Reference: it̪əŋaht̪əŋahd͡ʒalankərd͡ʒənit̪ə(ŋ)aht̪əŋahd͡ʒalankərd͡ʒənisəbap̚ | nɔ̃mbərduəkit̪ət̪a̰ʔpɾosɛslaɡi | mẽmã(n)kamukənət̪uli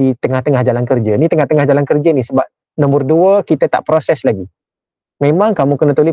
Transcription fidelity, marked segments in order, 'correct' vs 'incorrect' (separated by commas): correct, incorrect